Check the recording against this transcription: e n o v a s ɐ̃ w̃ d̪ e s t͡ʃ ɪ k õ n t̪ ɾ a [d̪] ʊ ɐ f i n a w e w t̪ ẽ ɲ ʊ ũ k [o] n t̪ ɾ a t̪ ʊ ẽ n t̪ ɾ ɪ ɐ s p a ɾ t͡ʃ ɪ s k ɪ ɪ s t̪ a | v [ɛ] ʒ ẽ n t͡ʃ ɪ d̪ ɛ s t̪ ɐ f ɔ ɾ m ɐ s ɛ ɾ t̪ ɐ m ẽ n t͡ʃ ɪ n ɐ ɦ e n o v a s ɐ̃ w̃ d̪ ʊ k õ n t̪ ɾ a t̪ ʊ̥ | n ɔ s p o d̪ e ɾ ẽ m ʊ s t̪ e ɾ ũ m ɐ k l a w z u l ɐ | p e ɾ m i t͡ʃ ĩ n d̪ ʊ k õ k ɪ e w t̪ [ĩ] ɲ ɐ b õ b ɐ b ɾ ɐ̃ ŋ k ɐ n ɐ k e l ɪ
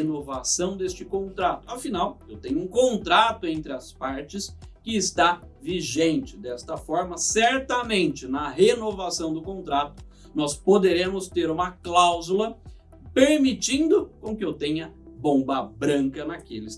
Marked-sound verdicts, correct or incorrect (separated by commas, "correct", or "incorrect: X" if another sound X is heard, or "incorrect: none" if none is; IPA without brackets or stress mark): incorrect: t̪, incorrect: õ, incorrect: i, incorrect: ẽ